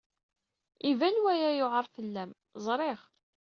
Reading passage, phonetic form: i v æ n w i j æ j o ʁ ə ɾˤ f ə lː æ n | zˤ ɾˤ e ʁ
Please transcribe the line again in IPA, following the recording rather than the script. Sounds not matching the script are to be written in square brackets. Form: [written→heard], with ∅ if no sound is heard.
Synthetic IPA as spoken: i v æ n w [i→æ] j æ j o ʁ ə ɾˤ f ə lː æ [n→m] | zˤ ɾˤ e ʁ